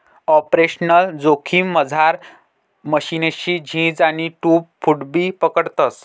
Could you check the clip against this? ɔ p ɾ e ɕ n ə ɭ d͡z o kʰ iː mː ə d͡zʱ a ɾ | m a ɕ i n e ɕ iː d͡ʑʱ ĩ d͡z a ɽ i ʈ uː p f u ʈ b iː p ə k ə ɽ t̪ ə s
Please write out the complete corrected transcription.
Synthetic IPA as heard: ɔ p ɾ e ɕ n ə l d͡z o kʰ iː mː ə d͡zʱ a ɾ | m ə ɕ i n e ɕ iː d͡ʑʱ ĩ d͡z a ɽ i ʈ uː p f u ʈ b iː p ə k ə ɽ t̪ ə s